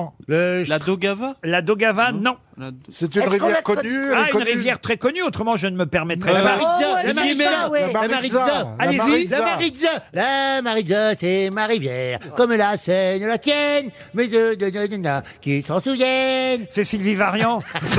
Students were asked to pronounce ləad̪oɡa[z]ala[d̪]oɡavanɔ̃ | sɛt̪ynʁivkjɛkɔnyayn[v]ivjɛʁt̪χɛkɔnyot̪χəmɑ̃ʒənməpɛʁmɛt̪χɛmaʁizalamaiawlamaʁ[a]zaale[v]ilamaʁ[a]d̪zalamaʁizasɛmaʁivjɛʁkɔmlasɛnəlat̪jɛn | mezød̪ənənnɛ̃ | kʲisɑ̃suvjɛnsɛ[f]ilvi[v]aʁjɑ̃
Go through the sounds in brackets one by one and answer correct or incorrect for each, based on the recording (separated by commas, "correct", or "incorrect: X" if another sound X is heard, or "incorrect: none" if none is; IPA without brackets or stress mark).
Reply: incorrect: v, correct, incorrect: ʁ, incorrect: i, incorrect: z, incorrect: i, incorrect: s, correct